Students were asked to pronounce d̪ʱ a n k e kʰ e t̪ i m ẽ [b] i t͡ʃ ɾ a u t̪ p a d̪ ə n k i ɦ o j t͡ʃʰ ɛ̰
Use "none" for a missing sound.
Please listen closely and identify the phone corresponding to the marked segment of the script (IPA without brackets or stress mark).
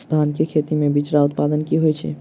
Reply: b